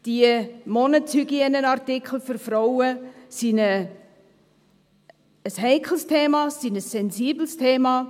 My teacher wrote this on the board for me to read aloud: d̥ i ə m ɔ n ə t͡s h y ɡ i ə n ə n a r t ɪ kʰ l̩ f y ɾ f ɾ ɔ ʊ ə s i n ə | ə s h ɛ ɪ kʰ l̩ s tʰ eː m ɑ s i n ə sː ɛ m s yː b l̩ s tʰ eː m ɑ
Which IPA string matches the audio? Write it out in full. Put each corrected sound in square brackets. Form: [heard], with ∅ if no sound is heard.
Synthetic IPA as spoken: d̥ i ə m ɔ n ə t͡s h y ɡ i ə n ə n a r t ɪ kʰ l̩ f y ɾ f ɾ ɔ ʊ ə s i n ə | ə s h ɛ ɪ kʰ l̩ s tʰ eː m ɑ s i n ə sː ɛ [n] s [iː] b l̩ s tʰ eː m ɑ